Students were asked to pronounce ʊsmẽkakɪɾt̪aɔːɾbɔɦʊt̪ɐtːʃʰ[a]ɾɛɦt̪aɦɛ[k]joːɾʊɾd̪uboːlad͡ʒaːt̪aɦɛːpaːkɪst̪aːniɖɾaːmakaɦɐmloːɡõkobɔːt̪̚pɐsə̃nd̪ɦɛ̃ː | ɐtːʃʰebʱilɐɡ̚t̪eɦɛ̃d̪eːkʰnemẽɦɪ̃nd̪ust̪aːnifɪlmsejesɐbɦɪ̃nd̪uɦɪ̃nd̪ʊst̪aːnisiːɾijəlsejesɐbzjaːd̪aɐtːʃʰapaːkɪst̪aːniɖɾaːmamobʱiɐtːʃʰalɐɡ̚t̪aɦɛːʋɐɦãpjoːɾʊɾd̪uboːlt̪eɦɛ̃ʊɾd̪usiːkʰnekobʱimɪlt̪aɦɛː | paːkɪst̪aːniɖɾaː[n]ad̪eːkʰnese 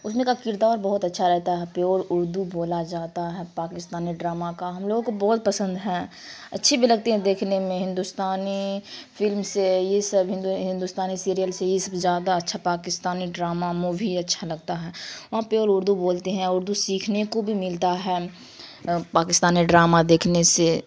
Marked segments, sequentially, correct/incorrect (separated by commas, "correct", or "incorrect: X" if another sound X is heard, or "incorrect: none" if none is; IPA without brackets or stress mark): correct, incorrect: p, incorrect: m